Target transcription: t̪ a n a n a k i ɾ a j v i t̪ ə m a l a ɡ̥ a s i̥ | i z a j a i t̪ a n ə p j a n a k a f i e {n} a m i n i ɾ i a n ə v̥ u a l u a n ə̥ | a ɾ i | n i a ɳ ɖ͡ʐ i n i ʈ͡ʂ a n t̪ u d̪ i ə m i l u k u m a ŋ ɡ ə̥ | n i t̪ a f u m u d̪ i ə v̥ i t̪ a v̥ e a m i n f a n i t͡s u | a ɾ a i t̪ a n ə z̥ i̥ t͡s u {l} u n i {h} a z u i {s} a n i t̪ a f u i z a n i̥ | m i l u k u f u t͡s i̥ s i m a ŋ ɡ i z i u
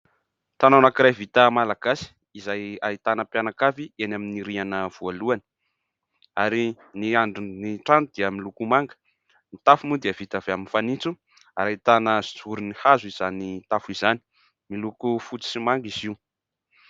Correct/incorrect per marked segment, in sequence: correct, incorrect: ɾ, correct, incorrect: z

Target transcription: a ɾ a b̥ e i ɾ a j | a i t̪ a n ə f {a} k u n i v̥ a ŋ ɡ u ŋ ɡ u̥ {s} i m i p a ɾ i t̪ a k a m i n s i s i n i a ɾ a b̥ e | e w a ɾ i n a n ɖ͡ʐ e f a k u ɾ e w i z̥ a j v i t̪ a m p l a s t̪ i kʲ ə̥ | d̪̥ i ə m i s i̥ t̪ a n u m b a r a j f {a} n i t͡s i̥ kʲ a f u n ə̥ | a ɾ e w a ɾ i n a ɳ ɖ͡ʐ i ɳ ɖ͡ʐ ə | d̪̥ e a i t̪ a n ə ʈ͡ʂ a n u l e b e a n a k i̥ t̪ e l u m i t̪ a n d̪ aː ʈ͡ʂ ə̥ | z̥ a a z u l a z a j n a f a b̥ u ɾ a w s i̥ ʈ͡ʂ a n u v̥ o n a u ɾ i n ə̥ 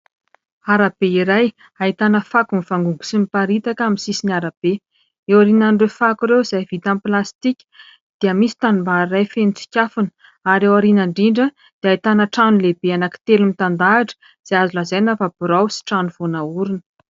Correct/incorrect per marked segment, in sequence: correct, correct, incorrect: e

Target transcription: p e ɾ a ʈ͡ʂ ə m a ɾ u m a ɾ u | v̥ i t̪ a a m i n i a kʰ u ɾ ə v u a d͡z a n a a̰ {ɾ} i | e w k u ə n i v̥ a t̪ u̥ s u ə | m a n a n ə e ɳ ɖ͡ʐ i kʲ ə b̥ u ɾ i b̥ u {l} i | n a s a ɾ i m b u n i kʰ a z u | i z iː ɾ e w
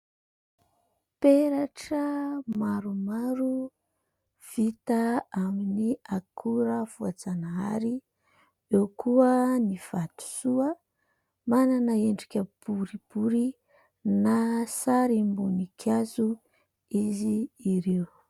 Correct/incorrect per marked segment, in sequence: correct, incorrect: ɾ

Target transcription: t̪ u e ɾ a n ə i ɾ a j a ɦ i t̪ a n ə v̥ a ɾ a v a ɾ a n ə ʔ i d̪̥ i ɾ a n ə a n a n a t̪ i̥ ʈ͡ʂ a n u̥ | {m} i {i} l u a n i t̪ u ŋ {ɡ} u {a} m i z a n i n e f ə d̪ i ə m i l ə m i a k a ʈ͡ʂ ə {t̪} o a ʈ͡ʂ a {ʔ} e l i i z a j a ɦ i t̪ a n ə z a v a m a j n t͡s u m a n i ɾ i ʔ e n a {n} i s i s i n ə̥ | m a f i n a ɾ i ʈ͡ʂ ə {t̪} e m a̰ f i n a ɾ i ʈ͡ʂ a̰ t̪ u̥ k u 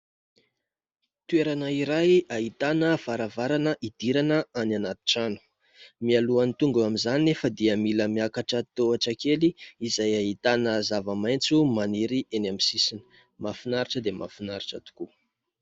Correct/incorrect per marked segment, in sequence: correct, incorrect: a, correct, correct, correct, incorrect: k, incorrect: m, incorrect: d̪

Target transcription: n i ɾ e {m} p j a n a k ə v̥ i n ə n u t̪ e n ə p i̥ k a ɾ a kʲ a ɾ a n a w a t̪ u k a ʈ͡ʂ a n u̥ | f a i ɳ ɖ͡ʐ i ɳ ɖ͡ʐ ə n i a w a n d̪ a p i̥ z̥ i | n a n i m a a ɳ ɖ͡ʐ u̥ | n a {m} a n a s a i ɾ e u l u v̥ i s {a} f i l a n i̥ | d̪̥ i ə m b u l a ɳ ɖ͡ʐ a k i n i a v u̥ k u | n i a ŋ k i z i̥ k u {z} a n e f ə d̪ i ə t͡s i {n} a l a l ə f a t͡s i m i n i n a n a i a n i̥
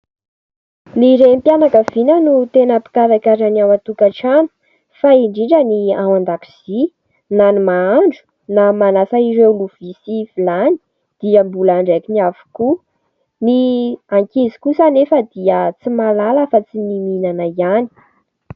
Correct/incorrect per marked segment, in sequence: correct, correct, incorrect: i, incorrect: s, incorrect: m

